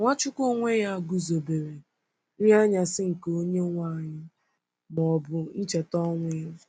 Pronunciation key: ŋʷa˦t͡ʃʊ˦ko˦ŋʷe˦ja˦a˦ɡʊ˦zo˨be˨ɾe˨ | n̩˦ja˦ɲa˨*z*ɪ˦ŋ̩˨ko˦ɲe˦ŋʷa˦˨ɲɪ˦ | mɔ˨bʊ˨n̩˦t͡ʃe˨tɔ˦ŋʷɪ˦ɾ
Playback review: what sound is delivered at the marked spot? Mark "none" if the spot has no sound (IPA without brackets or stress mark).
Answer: s